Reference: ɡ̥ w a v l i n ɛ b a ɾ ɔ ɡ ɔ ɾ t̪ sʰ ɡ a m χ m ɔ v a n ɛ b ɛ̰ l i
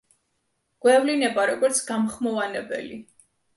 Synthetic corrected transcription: ɡ̥ w ɛ v l i n ɛ b a ɾ ɔ ɡ ɔ ɾ t̪ sʰ ɡ a m χ m ɔ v a n ɛ b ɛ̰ l i